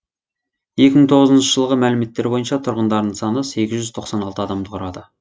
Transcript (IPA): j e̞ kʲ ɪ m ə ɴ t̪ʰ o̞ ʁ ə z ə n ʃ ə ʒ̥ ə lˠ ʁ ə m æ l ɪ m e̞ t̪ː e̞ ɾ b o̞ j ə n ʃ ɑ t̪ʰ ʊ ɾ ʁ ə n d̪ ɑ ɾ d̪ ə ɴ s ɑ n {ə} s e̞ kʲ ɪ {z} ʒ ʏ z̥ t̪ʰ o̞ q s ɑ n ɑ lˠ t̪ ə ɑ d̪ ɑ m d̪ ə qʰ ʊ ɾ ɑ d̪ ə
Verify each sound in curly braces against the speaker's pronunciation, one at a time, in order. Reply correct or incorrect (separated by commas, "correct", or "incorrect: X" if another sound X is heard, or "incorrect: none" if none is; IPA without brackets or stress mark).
correct, correct